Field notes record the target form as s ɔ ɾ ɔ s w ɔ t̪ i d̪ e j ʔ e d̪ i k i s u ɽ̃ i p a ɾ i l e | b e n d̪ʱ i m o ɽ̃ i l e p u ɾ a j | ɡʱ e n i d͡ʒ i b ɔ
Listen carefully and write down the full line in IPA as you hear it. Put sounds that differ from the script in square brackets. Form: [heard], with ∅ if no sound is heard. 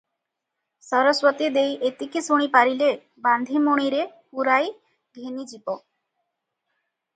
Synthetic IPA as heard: s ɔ ɾ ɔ s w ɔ t̪ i d̪ e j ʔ e [t̪] i k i s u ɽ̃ i p a ɾ i l e | b [a] n d̪ʱ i m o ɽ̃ i [ɾ] e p u ɾ a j | ɡʱ e n i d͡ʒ i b ɔ

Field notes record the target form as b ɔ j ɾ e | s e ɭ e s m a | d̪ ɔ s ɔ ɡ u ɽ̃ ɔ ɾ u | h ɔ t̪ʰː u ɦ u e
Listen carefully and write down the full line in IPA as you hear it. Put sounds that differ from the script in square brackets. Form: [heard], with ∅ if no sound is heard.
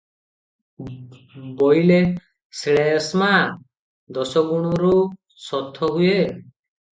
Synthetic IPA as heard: b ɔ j [l] e | s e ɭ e s m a | d̪ ɔ s ɔ ɡ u ɽ̃ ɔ ɾ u | [s] ɔ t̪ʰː [ɔ] ɦ u e

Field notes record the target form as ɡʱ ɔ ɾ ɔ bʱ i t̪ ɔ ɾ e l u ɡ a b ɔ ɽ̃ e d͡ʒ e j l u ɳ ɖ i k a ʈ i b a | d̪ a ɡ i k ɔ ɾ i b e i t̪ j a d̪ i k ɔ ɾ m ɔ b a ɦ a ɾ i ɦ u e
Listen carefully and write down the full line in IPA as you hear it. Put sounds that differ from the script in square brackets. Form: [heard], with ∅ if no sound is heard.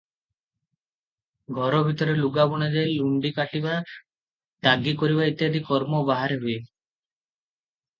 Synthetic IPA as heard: ɡʱ ɔ ɾ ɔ bʱ i t̪ ɔ ɾ e l u ɡ a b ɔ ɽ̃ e d͡ʒ [a] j l u ɳ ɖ i k a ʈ i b a | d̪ a ɡ i k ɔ ɾ i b [a] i t̪ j a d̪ i k ɔ ɾ m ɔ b a ɦ a ɾ [e] ɦ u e

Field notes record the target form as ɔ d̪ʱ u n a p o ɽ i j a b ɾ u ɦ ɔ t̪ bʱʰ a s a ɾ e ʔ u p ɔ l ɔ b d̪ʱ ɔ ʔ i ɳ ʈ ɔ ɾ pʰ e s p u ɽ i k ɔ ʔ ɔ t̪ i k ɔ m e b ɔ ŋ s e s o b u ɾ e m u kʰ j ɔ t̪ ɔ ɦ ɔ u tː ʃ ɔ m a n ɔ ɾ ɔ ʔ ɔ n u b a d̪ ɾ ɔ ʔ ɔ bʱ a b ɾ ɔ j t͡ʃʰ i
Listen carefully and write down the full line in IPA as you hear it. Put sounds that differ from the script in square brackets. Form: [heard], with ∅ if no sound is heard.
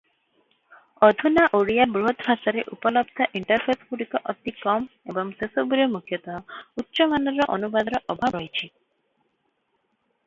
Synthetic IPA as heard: ɔ d̪ʱ u n a [ʔ] o ɽ i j a b ɾ u ɦ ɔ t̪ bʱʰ a s a ɾ e ʔ u p ɔ l ɔ b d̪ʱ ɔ ʔ i ɳ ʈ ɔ ɾ pʰ e s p u ɽ i k ɔ ʔ ɔ t̪ i k ɔ m e b ɔ ŋ s e s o b u ɾ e m u kʰ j ɔ t̪ ɔ ɦ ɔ u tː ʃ ɔ m a n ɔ ɾ ɔ ʔ ɔ n u b a d̪ ɾ ɔ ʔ ɔ bʱ a b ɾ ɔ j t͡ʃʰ i

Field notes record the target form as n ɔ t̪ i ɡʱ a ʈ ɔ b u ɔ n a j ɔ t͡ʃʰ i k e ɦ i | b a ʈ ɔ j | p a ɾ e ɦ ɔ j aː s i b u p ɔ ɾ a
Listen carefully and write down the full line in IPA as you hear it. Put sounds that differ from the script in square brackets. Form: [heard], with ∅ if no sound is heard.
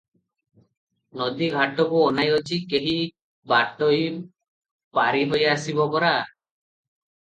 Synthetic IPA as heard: n ɔ [d̪] i ɡʱ a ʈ ɔ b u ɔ n a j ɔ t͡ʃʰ i k e ɦ i | b a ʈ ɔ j | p a ɾ [i] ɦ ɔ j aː s i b [ɔ] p ɔ ɾ a

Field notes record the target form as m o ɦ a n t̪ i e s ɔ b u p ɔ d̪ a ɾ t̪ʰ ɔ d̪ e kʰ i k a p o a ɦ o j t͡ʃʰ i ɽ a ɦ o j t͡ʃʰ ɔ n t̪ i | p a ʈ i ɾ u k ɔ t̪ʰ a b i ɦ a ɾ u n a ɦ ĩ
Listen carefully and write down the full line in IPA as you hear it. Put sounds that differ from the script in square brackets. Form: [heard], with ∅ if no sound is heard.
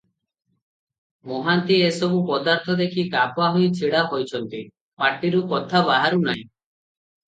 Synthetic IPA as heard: m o ɦ a n t̪ i e s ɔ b u p ɔ d̪ a ɾ t̪ʰ ɔ d̪ e kʰ i k a p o a ɦ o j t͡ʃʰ i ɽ a ɦ o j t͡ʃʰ ɔ n t̪ i | p a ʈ i ɾ u k ɔ t̪ʰ a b [a] ɦ a ɾ u n a ɦ ĩ

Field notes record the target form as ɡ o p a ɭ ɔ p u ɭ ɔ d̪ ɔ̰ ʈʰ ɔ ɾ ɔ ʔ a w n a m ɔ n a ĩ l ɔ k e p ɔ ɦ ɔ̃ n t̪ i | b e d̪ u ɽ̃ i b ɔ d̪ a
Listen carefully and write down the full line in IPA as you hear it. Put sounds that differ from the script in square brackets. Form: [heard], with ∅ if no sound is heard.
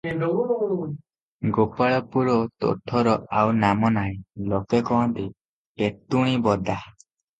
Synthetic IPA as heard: ɡ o p a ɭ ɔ p u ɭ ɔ [t̪] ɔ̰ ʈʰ ɔ ɾ ɔ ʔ a w n a m ɔ n a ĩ l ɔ k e [k] ɔ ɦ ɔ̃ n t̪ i | [p] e [t̪] u ɽ̃ i b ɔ d̪ a

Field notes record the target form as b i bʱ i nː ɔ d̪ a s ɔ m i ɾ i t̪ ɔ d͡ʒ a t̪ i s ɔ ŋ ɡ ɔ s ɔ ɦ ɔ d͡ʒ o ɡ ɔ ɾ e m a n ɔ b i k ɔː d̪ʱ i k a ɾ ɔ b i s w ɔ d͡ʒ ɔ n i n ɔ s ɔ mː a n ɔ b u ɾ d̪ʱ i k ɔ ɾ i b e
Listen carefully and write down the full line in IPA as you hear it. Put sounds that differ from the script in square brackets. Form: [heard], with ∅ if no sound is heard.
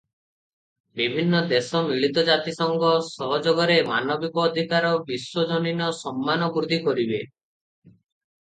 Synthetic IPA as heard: b i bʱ i nː ɔ d̪ [e] s ɔ m i [ɭ] i t̪ ɔ d͡ʒ a t̪ i s ɔ ŋ ɡ ɔ s ɔ ɦ ɔ d͡ʒ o ɡ ɔ ɾ e m a n ɔ b i k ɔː d̪ʱ i k a ɾ ɔ b i s w ɔ d͡ʒ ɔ n i n ɔ s ɔ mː a n ɔ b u ɾ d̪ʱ i k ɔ ɾ i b e

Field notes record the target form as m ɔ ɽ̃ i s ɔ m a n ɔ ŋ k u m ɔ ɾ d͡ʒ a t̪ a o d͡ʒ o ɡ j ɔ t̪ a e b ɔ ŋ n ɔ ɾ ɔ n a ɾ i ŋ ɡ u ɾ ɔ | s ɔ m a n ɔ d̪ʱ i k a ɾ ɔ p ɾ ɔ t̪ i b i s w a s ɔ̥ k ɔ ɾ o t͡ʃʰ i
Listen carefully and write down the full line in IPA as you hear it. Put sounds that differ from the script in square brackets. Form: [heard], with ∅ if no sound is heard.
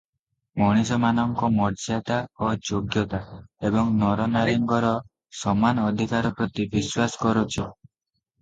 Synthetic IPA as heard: m ɔ ɽ̃ i s ɔ m a n ɔ ŋ k [ɔ] m ɔ ɾ d͡ʒ a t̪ a o d͡ʒ o ɡ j ɔ t̪ a e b ɔ ŋ n ɔ ɾ ɔ n a ɾ i ŋ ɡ [ɔ] ɾ ɔ | s ɔ m a n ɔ d̪ʱ i k a ɾ ɔ p ɾ ɔ t̪ i b i s w a s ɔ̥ k ɔ ɾ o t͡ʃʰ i

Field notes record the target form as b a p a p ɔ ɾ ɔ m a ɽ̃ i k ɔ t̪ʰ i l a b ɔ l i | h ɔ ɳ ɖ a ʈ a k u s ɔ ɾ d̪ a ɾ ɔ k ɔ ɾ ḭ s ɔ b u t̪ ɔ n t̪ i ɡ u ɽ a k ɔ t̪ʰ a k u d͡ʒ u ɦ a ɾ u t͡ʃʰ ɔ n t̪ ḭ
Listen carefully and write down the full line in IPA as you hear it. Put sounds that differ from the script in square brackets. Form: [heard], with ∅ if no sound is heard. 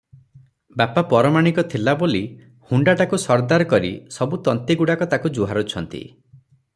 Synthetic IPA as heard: b a p a p ɔ ɾ ɔ m a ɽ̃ i k ɔ t̪ʰ i l a b [o] l i | h [u] ɳ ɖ a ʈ a k u s ɔ ɾ d̪ a ɾ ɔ k ɔ ɾ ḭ s ɔ b u t̪ ɔ n t̪ i ɡ u ɽ a k ɔ [t̪] a k u d͡ʒ u ɦ a ɾ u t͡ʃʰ ɔ n t̪ ḭ

